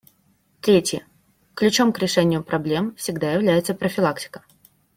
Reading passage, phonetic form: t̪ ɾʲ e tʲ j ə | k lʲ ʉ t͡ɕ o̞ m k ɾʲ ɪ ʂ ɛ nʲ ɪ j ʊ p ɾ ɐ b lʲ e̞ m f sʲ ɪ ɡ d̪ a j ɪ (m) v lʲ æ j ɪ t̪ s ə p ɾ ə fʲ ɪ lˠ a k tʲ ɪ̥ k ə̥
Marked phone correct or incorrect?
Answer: incorrect